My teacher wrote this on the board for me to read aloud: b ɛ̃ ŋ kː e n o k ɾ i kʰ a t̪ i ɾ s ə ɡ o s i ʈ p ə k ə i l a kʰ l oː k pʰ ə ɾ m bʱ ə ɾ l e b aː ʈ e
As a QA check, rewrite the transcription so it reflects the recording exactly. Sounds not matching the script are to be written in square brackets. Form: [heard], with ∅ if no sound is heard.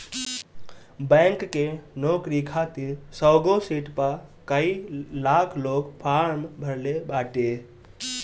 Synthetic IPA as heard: b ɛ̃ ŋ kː e n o k ɾ i kʰ a t̪ i ɾ s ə ɡ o s i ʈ p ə k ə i l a kʰ l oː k pʰ [a] ɾ m bʱ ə ɾ l e b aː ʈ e